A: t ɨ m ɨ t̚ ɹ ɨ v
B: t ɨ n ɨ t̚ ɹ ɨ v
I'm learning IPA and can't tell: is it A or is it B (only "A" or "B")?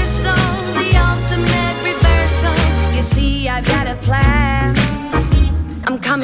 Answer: A